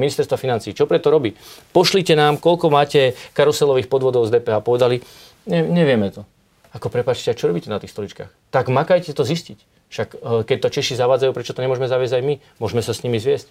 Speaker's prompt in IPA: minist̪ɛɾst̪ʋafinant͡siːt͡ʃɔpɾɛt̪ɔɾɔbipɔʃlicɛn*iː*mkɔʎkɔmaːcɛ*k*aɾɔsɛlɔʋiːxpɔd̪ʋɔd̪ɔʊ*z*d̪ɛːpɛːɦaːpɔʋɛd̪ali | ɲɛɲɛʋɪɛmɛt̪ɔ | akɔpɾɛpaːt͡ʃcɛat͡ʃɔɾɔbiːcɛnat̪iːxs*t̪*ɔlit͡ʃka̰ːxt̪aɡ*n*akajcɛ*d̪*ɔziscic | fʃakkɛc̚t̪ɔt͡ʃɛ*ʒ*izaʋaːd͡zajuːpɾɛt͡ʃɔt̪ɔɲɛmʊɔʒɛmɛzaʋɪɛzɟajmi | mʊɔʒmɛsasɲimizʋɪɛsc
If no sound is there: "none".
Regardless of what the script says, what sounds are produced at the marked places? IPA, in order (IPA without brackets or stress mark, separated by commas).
aː, k, z, t̪, m, t̪, ʃ